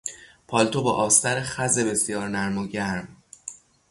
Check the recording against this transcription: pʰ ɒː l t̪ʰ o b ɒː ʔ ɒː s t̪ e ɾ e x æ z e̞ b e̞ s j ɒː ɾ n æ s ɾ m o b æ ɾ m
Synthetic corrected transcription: pʰ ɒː l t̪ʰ o b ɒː ʔ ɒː s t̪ æ ɾ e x æ z e̞ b e̞ s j ɒː ɾ n æ ɾ m o ɟ æ ɾ m